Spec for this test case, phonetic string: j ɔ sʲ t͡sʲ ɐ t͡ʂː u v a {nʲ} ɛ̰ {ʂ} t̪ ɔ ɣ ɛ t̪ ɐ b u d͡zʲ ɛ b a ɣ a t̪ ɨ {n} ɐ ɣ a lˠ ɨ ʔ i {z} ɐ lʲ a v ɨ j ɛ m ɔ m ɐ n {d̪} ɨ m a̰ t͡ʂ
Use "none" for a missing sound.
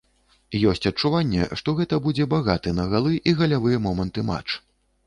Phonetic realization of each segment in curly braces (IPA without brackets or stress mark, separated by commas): nʲː, ʂ, n, ɣ, t̪